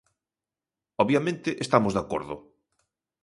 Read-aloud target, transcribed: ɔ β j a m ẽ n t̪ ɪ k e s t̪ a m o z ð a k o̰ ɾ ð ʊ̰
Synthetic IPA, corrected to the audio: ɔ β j a m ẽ n t̪ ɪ ʔ e s t̪ a m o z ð a k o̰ ɾ ð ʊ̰